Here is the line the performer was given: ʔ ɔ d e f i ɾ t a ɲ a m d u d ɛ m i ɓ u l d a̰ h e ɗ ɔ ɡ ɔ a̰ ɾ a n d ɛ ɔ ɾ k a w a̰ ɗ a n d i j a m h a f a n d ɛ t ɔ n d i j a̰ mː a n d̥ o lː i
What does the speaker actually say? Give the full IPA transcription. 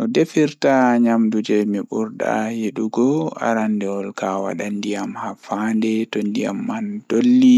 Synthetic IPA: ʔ ɔ d e f i ɾ t a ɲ a m d u d͡ʒ ɛ m i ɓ u ɾ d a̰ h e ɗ u ɡ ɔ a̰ ɾ a n d ɛ ɔ l k a w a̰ ɗ a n d i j a m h a f a n d ɛ t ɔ n d i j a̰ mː a n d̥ o lː i